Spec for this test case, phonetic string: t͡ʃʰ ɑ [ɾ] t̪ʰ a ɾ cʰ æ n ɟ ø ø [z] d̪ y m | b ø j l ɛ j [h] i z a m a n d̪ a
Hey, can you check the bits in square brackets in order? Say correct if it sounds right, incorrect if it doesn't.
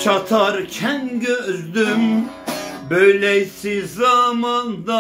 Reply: incorrect, correct, incorrect

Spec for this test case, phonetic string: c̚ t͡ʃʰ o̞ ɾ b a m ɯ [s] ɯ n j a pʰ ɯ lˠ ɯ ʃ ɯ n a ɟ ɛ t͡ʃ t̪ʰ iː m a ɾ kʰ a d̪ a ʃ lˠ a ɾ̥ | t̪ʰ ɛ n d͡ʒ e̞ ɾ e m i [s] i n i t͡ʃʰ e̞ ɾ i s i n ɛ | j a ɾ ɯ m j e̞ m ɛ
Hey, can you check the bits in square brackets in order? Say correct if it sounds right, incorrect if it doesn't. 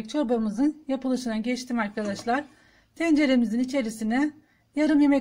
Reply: incorrect, incorrect

